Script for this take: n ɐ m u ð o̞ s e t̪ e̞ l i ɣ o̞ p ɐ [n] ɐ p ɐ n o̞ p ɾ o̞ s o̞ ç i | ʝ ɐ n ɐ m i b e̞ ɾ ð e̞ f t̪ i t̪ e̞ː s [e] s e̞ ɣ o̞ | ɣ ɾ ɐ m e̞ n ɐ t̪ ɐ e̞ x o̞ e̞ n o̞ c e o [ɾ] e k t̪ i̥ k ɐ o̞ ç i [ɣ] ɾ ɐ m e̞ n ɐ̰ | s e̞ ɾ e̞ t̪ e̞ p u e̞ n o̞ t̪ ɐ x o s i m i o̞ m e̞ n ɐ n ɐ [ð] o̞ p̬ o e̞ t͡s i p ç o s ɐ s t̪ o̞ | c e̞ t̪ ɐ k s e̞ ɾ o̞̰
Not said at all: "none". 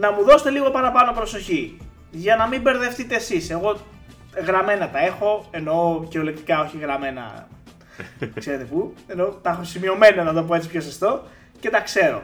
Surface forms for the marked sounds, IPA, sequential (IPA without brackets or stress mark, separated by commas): n, i, l, ɣ, ð